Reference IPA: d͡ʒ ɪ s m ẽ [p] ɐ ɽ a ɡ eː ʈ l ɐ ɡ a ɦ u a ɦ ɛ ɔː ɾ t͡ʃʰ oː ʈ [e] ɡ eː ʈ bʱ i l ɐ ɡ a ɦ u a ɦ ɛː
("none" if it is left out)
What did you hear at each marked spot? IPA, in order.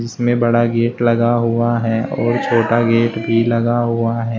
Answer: b, a

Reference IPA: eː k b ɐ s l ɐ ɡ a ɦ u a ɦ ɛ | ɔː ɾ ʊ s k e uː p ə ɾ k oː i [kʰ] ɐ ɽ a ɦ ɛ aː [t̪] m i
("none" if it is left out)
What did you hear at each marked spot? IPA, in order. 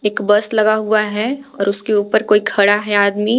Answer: kʰ, d̪

